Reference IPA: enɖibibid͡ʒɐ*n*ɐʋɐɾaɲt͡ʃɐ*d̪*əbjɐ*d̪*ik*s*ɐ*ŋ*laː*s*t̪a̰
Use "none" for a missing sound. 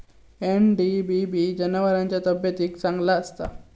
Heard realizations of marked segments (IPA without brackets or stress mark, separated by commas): n, t̪, t̪, s, ŋ, s